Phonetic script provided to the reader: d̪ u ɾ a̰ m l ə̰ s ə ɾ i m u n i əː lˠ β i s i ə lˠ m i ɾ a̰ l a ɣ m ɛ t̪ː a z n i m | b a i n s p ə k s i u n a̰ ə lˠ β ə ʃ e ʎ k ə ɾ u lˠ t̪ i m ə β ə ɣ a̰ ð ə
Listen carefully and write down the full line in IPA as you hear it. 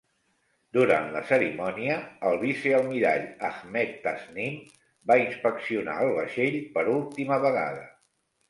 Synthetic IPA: d̪ u ɾ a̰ n l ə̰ s ə ɾ i m ɔ n i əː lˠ β i s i ə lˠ m i ɾ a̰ ʎ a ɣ m ɛ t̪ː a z n i m | b a i n s p ə k s i u n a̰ ə lˠ β ə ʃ e ʎ p ə ɾ u lˠ t̪ i m ə β ə ɣ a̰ ð ə